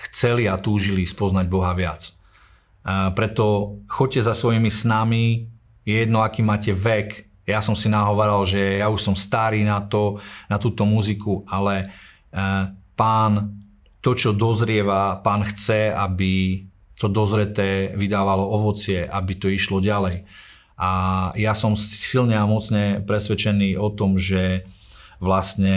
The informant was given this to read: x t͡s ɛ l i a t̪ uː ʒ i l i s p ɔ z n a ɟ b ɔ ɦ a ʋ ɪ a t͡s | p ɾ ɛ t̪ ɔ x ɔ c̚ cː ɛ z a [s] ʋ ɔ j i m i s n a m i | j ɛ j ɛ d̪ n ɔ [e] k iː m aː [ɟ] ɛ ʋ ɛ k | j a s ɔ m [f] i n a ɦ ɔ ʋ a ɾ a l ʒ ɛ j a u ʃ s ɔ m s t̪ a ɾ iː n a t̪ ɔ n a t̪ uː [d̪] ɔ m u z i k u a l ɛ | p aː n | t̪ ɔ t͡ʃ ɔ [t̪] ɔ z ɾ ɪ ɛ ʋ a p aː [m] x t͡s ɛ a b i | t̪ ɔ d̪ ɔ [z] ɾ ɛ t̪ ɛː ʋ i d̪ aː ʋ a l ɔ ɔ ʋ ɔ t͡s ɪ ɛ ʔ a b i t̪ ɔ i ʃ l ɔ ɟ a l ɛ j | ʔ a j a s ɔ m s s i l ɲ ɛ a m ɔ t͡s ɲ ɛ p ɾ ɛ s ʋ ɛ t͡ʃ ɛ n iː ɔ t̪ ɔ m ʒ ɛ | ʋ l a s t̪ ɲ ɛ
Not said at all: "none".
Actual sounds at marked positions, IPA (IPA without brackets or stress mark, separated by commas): s, a, c, s, t̪, d̪, n, z